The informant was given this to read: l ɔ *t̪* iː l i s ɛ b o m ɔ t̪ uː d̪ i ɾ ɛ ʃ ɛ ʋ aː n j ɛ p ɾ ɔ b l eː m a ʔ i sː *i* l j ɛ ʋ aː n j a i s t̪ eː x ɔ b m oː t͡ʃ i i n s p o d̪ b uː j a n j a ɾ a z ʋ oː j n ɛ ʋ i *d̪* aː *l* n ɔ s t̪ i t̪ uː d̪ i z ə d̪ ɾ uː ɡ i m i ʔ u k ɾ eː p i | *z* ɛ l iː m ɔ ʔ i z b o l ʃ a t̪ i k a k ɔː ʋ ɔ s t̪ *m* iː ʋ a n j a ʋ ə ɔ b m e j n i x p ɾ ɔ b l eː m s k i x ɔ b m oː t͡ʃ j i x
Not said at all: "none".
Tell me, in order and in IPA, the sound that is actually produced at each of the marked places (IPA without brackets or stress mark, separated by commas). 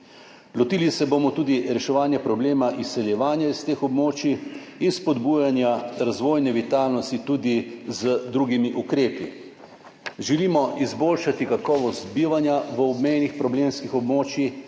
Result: t̪, ɛ, t̪, l, ʒ, b